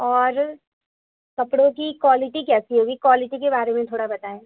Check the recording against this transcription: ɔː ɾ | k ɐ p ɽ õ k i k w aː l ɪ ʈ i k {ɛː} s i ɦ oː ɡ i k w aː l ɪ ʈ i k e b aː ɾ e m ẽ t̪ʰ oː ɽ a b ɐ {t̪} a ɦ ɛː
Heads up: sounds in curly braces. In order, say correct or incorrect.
correct, correct

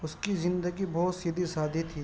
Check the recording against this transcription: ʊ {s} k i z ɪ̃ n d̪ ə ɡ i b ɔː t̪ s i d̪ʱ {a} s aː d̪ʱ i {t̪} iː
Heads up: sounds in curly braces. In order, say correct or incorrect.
correct, incorrect: i, incorrect: t̪ʰ

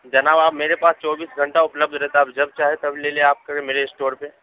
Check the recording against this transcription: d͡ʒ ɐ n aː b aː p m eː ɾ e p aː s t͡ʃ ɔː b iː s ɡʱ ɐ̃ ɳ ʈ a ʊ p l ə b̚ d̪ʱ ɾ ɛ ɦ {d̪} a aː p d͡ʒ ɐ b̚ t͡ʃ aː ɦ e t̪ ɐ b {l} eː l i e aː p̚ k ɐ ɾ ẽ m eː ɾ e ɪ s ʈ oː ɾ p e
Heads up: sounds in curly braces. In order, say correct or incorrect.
incorrect: t̪, correct

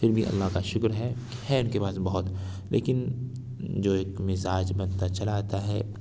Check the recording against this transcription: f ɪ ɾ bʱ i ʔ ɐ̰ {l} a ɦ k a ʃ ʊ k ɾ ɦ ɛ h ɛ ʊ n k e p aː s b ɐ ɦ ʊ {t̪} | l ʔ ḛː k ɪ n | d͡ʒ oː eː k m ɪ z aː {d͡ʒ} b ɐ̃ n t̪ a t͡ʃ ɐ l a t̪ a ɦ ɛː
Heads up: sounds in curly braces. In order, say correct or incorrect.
incorrect: lː, correct, correct

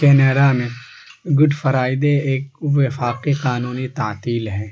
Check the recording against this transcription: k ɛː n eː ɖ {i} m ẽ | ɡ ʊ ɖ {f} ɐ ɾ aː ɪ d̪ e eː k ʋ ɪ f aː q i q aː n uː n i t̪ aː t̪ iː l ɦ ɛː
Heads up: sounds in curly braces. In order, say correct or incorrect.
incorrect: a, correct

